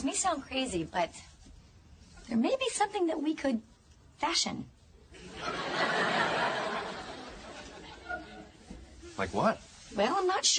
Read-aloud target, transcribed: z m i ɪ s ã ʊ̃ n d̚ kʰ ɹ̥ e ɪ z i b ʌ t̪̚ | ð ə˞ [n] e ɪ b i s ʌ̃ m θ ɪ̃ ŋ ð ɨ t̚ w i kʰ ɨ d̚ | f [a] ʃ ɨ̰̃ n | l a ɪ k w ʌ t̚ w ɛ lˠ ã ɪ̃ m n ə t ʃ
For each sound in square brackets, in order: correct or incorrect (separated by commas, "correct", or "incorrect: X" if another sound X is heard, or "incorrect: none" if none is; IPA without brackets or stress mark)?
incorrect: m, incorrect: æ